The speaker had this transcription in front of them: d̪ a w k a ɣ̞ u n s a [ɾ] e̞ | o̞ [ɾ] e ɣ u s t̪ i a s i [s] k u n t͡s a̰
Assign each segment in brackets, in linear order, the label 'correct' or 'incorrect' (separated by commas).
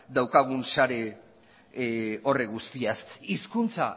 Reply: correct, incorrect, correct